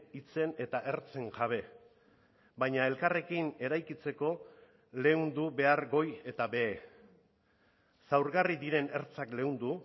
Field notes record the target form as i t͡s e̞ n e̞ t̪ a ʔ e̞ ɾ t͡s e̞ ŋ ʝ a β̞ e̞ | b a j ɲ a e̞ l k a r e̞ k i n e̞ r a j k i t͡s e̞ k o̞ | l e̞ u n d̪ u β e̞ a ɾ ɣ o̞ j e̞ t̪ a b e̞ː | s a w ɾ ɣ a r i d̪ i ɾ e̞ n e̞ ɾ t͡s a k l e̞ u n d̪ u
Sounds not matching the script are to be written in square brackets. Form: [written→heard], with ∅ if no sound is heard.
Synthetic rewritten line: i t͡s e̞ n e̞ t̪ a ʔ e̞ ɾ t͡s e̞ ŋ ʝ a β̞ e̞ | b a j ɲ a e̞ l k a r e̞ k i n e̞ [r→ɾ] a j k i t͡s e̞ k o̞ | l e̞ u n d̪ u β e̞ a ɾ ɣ o̞ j e̞ t̪ a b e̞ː | s a w ɾ ɣ a r i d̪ i ɾ e̞ n e̞ ɾ t͡s a k l e̞ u n d̪ u